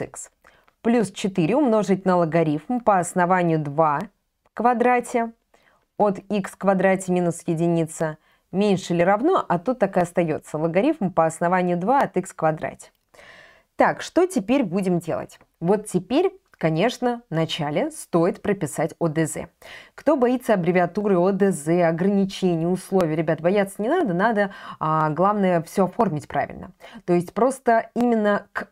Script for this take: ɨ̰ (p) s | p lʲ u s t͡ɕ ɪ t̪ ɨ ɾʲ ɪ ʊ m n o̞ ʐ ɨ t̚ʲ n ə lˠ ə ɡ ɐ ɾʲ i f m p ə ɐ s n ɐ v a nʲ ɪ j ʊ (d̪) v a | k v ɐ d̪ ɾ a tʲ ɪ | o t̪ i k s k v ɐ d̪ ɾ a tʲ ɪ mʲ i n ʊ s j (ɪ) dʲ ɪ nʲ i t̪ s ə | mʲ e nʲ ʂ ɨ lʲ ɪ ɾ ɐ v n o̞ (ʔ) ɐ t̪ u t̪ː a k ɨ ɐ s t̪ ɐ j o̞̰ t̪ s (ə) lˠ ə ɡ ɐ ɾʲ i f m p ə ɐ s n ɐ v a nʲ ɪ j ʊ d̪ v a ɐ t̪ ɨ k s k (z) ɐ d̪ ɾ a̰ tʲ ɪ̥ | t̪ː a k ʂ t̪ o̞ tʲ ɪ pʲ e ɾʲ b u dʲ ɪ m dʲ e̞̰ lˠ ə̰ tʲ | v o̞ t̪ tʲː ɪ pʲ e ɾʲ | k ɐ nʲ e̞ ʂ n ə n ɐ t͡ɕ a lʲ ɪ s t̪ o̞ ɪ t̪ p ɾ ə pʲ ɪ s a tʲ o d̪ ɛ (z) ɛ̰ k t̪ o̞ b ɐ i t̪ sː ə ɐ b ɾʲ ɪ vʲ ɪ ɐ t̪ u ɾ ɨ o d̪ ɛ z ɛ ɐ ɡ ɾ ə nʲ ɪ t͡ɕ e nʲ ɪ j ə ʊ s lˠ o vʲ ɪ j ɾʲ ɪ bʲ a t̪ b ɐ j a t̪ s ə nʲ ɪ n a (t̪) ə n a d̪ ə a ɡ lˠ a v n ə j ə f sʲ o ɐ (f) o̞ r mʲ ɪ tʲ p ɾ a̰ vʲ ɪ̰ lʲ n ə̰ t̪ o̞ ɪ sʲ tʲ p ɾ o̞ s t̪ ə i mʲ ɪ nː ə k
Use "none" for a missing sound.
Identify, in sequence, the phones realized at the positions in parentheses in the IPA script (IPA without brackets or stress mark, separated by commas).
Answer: k, d̪, ɪ, ʔ, ə, v, z, d̪, f